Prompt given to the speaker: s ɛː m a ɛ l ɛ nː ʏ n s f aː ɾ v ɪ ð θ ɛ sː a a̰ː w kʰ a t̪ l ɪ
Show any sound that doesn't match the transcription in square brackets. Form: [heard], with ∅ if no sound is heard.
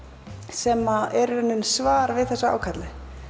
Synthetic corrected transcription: s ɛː m a ɛ [ɾ] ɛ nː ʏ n s [v] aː ɾ v ɪ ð θ ɛ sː a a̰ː w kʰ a t̪ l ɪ